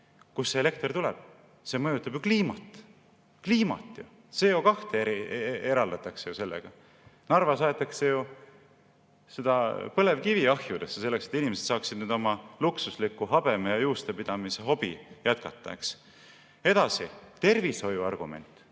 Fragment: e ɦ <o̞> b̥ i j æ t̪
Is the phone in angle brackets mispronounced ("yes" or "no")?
no